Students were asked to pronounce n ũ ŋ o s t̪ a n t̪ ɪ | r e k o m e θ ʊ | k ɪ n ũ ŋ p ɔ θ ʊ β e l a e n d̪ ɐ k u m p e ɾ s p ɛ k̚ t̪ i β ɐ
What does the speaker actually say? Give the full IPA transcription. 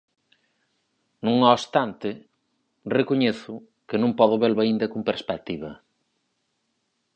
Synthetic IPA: n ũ ŋ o s t̪ a n t̪ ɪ | r e k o ɲ e θ ʊ | k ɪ n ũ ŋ p ɔ ð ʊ β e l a i n d̪ ɐ k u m p e ɾ s p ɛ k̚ t̪ i β ɐ